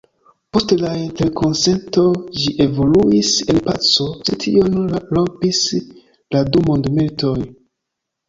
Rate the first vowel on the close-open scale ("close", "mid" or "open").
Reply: mid